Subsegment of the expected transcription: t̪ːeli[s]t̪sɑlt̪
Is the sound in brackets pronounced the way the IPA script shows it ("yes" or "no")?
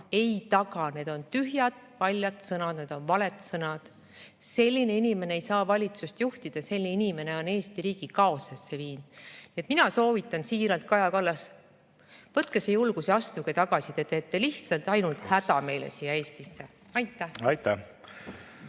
no